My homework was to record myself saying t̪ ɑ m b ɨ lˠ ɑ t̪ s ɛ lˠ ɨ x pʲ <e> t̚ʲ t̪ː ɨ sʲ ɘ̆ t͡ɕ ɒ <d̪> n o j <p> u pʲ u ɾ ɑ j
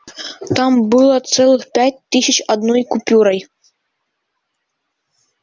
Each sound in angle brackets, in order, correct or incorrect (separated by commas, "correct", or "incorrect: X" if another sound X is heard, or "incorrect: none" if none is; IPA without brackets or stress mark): incorrect: æ, correct, incorrect: k